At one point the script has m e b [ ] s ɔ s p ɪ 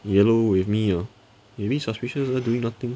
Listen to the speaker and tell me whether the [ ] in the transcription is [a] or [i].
i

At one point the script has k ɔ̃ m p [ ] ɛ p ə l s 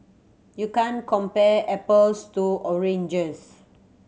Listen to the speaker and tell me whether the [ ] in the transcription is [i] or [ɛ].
ɛ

